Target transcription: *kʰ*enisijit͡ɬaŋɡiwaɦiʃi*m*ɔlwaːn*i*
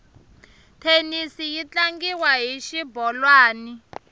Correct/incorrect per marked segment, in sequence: incorrect, incorrect, correct

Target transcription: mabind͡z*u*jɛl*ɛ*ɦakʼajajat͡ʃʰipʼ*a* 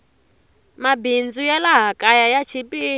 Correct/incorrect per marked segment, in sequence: correct, incorrect, incorrect

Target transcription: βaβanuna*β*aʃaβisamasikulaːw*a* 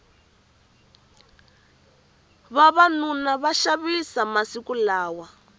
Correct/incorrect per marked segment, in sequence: correct, correct

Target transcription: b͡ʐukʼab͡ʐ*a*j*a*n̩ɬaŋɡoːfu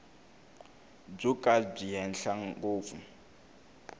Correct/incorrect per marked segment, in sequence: incorrect, incorrect

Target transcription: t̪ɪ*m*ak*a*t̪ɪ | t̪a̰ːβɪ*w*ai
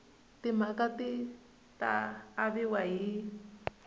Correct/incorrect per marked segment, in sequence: correct, correct, correct

